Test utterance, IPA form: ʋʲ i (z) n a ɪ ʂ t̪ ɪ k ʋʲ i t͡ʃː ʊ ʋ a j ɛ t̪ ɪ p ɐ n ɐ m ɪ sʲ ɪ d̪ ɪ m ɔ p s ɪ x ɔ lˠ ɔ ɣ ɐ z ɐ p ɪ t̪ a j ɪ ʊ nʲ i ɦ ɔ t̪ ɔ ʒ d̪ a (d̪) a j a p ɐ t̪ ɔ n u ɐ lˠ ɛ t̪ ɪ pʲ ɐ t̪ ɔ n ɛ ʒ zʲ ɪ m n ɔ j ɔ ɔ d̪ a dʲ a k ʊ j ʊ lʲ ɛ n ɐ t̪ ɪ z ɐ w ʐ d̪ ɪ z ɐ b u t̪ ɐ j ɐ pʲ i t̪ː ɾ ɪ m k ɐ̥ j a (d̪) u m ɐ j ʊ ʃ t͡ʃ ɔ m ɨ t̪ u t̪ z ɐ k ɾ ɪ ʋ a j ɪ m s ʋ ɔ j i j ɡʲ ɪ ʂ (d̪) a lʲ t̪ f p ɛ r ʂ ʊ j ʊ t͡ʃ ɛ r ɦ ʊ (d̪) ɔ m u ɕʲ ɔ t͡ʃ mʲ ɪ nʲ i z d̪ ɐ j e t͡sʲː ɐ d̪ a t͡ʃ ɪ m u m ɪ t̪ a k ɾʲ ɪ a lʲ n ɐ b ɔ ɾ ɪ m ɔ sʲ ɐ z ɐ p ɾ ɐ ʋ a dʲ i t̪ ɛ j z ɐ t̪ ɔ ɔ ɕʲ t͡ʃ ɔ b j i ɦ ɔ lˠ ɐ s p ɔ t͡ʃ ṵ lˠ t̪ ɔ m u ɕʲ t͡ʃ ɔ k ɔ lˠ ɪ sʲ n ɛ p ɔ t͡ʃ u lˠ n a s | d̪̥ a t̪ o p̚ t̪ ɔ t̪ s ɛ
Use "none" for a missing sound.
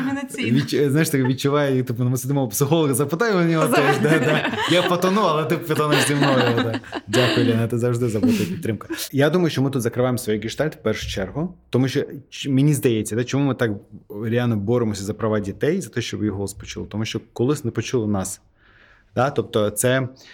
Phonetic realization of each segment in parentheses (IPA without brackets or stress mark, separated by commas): z, d̪, d̪, t̪, t̪